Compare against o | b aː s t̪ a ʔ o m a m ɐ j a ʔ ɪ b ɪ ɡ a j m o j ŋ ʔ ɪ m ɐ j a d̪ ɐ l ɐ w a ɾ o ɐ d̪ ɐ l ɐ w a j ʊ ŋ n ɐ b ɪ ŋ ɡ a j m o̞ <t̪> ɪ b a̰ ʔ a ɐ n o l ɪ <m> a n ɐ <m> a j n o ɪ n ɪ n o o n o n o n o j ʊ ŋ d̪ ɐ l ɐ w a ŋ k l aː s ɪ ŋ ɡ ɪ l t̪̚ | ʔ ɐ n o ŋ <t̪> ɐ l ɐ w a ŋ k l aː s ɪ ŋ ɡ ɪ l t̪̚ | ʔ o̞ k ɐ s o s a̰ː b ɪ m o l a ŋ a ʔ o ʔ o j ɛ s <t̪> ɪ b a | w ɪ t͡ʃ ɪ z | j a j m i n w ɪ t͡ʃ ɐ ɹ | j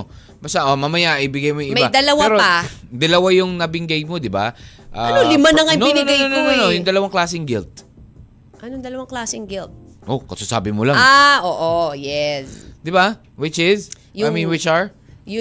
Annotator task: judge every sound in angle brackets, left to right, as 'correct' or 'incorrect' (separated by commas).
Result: incorrect, correct, incorrect, incorrect, incorrect